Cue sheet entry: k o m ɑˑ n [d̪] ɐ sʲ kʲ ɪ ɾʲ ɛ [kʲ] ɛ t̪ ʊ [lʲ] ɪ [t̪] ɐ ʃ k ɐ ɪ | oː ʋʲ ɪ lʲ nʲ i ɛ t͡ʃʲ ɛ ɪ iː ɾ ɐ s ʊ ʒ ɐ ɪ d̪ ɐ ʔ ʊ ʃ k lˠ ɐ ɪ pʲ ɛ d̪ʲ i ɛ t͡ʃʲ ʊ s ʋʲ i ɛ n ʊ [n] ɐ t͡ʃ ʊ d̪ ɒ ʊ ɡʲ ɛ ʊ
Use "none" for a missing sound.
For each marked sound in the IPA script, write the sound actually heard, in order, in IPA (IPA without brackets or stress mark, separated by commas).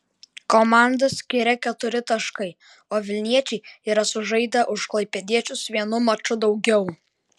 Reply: d̪, kʲ, ɾʲ, t̪, m